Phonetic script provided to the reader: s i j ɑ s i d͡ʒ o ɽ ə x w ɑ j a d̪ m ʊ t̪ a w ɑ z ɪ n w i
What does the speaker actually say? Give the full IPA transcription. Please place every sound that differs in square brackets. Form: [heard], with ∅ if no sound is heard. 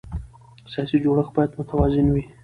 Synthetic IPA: s i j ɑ s i d͡ʒ o ɽ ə x [b] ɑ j a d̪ m ʊ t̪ a w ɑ z ɪ n w i